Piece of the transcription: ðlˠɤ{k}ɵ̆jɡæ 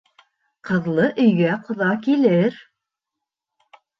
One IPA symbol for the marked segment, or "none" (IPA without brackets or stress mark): ʔ